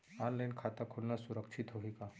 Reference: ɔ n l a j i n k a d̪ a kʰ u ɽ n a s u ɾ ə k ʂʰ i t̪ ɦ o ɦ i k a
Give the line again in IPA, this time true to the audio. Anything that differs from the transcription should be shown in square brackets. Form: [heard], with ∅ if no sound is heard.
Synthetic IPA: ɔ n l a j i n [kʰ] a [t̪] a kʰ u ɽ n a s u ɾ ə k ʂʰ i t̪ ɦ o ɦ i k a